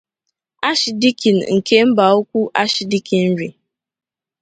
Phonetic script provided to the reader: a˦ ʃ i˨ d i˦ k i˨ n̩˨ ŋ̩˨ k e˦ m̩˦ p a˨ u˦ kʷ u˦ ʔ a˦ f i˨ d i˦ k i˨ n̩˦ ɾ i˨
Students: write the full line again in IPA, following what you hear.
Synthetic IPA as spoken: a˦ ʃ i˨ d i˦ k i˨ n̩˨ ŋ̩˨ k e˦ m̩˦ b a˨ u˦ kʷ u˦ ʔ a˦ ʃ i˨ d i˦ k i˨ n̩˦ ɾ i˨